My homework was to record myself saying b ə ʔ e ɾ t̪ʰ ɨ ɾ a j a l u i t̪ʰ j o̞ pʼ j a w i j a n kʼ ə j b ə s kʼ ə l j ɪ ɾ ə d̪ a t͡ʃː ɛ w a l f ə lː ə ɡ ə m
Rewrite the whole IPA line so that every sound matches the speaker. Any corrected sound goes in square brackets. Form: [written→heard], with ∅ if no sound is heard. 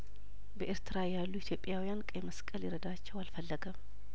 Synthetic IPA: b ə ʔ e ɾ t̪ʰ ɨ ɾ a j a [l→lː] u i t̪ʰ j o̞ pʼ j a w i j a n kʼ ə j [b→m] ə s kʼ ə l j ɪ ɾ ə d̪ a t͡ʃː ɛ w a l f ə lː ə ɡ ə m